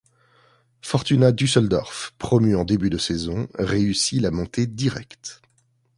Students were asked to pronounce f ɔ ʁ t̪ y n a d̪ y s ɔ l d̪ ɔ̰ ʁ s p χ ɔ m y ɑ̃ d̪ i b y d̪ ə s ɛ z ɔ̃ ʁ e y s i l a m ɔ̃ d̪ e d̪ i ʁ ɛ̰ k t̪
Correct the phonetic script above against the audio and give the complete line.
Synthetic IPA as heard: f ɔ ʁ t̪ y n a d̪ y s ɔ l d̪ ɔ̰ ʁ f p χ ɔ m y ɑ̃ d̪ e b y d̪ ə s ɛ z ɔ̃ ʁ e y s i l a m ɔ̃ t̪ e d̪ i ʁ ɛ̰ k t̪